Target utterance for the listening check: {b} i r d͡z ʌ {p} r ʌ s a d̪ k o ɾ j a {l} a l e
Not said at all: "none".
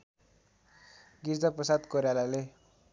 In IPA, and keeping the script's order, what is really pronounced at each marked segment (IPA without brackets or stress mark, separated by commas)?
ɡ, p, l